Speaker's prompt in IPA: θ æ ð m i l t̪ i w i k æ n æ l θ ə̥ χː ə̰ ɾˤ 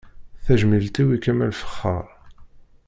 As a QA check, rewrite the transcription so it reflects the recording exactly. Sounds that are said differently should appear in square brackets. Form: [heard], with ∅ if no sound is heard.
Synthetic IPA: θ æ [ʒ] m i l t̪ i w i k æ [m] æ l [f] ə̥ χː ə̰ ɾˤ

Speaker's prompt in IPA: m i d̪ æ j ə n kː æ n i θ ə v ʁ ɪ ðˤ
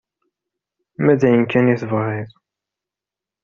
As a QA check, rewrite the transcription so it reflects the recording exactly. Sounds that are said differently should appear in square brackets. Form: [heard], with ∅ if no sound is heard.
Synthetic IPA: m [æ] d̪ æ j ə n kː æ n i θ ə v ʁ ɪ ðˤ

